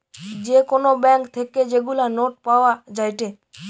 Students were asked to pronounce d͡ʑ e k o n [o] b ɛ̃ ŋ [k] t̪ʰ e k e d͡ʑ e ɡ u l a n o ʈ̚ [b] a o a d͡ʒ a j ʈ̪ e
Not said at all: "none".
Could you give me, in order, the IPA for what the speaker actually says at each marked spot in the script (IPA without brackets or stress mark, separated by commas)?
o, k, p